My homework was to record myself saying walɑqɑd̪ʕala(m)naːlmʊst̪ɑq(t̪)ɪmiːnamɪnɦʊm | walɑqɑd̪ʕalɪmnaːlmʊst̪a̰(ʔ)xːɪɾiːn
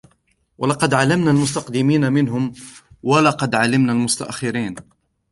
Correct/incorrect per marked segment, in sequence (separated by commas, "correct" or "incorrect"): correct, incorrect, correct